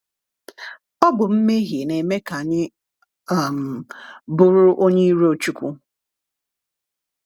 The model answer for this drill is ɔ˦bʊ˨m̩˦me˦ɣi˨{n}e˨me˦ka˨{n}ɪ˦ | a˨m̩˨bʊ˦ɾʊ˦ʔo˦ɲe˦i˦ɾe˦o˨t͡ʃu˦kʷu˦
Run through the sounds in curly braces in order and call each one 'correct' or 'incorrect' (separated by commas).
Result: correct, incorrect